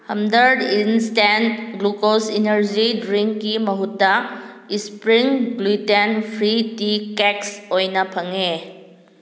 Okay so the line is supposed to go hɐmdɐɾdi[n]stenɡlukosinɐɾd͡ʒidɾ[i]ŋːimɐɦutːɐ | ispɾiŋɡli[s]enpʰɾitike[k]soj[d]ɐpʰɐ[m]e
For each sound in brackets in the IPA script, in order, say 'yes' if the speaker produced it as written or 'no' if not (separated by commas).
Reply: yes, yes, no, yes, no, no